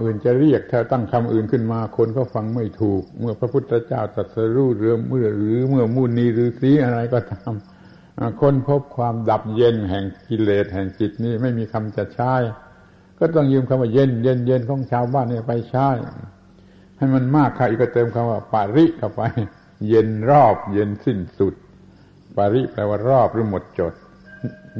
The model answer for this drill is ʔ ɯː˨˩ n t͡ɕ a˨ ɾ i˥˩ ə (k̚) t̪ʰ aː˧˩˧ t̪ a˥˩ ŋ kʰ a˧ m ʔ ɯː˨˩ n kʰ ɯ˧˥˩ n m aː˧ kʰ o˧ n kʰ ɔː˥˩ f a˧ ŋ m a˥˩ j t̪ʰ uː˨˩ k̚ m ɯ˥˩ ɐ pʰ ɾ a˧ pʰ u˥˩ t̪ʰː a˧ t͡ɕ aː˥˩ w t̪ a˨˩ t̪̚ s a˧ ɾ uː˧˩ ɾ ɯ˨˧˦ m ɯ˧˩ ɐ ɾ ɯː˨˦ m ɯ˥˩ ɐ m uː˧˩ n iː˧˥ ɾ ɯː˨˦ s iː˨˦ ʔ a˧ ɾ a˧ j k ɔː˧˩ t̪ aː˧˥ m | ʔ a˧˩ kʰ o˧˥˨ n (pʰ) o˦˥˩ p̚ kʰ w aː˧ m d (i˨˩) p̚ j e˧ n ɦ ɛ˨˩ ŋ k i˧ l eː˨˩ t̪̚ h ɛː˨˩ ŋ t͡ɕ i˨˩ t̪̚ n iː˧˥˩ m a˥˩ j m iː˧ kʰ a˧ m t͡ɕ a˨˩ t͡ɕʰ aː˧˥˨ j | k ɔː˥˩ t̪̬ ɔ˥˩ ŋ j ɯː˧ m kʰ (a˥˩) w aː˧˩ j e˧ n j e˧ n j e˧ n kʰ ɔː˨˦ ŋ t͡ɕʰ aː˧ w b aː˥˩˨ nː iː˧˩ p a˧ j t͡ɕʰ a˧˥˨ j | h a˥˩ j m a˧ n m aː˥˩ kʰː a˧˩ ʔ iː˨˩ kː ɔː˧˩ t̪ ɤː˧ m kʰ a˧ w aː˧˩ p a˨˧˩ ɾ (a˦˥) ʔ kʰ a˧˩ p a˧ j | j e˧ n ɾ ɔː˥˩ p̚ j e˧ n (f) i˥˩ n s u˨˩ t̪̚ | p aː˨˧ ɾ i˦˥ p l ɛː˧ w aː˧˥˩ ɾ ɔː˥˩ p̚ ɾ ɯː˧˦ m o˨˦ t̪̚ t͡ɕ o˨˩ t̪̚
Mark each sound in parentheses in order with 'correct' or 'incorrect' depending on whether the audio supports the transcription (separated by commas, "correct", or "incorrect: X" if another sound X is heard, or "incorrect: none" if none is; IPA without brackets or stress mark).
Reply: correct, correct, incorrect: a˨˩, incorrect: a˧, incorrect: i˦˥, incorrect: s